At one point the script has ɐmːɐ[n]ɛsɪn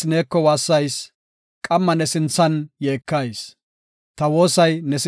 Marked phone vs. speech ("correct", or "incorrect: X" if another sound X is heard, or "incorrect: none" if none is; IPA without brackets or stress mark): correct